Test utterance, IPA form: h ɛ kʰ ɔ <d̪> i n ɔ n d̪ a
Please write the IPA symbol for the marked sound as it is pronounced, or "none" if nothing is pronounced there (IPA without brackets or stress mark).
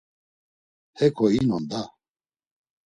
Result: none